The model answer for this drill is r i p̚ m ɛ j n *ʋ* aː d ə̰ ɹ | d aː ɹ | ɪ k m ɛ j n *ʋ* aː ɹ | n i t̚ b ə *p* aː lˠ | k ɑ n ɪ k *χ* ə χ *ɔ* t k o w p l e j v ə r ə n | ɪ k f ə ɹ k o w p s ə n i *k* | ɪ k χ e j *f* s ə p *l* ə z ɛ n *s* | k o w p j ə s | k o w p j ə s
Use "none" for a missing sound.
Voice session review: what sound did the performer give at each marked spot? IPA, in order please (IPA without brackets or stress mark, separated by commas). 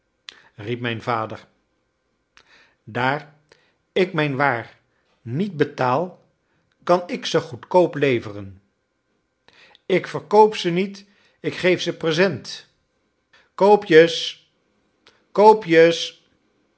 v, ʋ, t, s, u, t, f, r, t